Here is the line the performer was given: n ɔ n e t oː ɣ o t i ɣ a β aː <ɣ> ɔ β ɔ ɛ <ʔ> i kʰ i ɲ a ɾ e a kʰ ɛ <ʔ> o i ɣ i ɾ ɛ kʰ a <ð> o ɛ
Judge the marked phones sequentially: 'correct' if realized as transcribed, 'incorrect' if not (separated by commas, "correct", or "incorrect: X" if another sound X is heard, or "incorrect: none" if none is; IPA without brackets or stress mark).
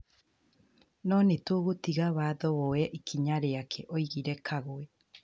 incorrect: ð, correct, correct, incorrect: ɣ